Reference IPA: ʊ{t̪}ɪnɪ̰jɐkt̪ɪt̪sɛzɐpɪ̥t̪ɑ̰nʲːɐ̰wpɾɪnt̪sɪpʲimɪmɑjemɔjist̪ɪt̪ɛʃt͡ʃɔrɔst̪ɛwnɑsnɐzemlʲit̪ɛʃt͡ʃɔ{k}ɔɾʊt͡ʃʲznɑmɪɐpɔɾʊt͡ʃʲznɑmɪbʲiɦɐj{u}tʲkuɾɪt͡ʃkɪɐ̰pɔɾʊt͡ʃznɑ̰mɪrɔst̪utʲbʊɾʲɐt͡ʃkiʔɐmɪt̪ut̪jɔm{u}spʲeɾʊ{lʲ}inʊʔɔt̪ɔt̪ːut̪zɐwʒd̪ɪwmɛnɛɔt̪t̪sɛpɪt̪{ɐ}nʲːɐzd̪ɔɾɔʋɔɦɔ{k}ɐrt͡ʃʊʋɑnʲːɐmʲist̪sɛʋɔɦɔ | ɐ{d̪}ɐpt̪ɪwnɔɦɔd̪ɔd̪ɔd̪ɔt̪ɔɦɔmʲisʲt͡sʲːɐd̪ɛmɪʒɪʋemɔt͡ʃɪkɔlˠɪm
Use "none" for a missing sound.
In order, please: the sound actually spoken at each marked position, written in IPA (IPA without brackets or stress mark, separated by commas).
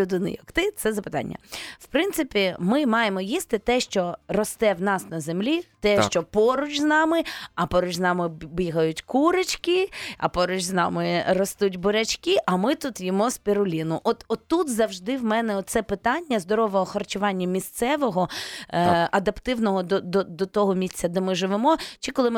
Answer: d̪, p, ʊ, ɔ, lʲ, ɑ, x, d̪